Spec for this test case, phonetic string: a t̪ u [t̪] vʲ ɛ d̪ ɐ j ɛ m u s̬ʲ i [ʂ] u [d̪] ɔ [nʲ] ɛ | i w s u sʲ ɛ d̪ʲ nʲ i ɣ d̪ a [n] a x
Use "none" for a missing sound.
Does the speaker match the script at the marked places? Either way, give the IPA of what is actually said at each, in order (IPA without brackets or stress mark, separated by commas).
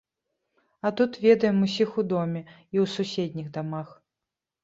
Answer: t̪, x, d̪, mʲ, m